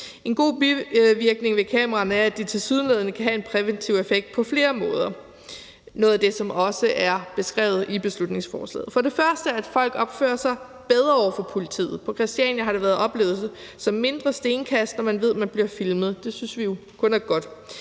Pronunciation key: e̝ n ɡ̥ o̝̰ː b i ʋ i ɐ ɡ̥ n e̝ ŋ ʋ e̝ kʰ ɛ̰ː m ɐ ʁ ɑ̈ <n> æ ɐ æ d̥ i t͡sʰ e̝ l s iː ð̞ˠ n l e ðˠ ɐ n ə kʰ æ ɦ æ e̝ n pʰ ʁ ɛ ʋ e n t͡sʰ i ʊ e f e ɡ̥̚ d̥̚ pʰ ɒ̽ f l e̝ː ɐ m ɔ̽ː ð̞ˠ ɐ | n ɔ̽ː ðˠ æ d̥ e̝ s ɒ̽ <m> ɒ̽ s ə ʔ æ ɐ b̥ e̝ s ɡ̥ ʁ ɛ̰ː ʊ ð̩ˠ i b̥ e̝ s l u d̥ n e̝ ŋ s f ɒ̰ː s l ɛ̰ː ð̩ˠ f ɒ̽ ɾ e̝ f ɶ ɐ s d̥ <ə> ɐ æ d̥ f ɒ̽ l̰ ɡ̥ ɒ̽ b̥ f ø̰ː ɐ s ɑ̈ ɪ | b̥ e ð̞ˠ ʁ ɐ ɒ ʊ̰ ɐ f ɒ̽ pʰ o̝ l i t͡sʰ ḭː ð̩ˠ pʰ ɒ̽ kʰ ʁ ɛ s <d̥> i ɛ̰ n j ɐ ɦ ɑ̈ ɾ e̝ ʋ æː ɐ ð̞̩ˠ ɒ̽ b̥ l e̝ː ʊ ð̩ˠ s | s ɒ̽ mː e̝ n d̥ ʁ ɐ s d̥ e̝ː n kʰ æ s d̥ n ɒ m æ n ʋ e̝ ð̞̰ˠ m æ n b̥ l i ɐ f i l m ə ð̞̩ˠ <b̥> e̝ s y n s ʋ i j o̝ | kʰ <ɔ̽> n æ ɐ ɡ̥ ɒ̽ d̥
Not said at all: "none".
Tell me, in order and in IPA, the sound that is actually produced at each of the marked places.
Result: n, m, ə, d̥, d̥, ɔ̽

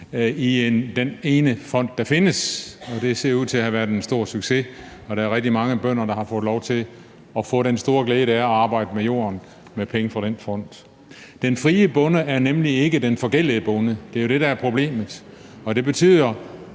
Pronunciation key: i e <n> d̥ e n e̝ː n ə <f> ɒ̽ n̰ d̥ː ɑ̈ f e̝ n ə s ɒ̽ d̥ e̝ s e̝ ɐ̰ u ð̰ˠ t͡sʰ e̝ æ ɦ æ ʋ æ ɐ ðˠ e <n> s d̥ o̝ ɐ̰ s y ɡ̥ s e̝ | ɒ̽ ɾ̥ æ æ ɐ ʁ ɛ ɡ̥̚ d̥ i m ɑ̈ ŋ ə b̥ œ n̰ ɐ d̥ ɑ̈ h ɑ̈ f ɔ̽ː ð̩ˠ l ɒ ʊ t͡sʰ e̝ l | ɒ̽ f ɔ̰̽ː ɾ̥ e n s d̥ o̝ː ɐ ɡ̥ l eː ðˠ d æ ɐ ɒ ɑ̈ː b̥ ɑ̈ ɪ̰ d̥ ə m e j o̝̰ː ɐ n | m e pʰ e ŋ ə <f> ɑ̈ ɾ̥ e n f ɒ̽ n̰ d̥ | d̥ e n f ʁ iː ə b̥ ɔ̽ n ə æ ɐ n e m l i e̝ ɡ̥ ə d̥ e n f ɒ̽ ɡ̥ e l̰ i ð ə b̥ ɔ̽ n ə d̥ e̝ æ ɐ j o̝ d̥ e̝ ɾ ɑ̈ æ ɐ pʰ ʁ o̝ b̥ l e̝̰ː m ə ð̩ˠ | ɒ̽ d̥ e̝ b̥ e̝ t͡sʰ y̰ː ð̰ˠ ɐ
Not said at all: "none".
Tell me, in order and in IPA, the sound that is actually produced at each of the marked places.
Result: n, f, n, f

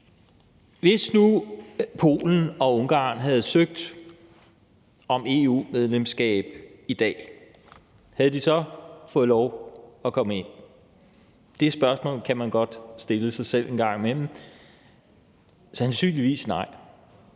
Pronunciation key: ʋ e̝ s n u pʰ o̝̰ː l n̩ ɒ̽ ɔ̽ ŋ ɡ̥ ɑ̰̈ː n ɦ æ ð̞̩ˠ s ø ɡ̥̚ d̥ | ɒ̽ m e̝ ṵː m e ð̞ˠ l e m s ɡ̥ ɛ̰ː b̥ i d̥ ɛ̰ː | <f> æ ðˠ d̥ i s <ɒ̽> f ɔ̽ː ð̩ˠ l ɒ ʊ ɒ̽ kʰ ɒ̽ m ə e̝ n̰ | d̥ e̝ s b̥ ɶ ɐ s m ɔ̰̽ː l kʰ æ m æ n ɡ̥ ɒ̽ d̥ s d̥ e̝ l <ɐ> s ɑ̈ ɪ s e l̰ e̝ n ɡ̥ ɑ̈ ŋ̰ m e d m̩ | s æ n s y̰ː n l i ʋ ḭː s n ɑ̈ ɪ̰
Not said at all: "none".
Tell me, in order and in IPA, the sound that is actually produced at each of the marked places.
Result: h, ɒ̽, ə

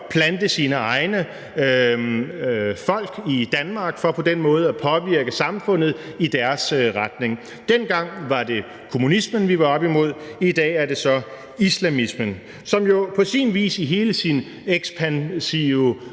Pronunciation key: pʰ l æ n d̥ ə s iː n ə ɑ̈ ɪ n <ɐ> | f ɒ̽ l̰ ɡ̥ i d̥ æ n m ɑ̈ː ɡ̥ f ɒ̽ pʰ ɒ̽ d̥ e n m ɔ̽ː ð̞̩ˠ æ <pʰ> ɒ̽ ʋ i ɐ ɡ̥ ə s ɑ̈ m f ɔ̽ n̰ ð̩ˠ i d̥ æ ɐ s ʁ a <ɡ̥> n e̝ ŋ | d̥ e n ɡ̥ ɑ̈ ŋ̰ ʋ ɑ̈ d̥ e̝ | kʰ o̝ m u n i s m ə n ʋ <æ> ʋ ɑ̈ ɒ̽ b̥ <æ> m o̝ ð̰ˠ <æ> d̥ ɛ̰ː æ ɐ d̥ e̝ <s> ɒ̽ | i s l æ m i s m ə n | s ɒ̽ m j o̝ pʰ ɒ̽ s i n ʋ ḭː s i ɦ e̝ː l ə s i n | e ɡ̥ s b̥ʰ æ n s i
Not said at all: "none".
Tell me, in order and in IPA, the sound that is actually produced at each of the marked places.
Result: ə, pʰ, d̥, i, i, i, s

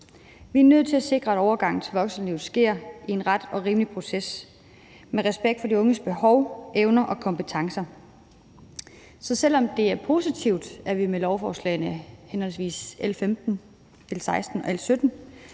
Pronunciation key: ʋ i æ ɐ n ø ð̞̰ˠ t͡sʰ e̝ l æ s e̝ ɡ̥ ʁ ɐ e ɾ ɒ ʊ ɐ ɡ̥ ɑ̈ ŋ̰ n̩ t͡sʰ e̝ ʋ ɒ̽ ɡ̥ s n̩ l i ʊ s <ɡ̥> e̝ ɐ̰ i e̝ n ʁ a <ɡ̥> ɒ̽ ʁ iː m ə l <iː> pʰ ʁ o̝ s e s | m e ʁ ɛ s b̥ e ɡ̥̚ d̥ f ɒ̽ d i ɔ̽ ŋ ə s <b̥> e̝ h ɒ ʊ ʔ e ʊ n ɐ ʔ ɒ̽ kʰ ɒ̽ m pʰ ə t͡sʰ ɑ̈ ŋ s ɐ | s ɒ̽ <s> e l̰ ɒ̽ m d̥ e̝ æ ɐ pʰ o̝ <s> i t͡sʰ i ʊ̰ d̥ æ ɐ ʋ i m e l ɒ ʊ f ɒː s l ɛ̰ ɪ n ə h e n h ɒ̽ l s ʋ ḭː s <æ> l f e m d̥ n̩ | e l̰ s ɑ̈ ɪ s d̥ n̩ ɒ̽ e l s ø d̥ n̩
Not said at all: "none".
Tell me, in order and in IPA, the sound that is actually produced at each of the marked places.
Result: ɡ̥, d̥, i, b̥, s, s, e

